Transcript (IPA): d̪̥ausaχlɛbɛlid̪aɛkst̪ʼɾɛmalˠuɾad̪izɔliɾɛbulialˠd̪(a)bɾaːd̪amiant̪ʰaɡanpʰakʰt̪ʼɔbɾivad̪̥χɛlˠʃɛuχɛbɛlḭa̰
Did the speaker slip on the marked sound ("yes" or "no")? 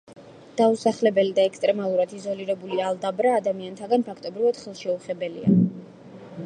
no